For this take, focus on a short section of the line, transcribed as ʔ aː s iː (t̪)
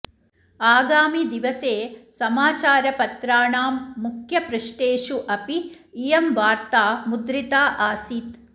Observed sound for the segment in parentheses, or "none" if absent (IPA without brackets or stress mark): t̪